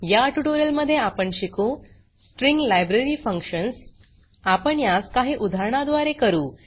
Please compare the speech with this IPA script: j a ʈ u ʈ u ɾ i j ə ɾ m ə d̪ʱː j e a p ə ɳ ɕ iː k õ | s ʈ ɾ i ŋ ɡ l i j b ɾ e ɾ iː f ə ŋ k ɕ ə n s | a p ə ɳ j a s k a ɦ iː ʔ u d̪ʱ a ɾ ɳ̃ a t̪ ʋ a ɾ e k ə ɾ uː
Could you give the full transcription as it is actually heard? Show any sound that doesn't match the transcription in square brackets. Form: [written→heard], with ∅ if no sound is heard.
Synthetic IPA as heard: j a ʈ u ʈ [u→o] ɾ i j ə [ɾ→l] m ə d̪ʱː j e a p ə ɳ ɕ [iː→i] k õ | s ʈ ɾ i ŋ ɡ l [i→a] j b ɾ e ɾ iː f ə ŋ k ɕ ə n s | a p ə ɳ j a s k a ɦ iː ʔ u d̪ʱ a ɾ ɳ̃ a [t̪→d̪] ʋ a ɾ e k ə ɾ uː